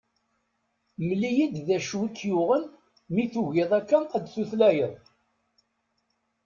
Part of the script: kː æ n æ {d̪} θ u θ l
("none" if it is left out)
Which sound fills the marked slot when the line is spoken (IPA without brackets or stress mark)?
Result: d̪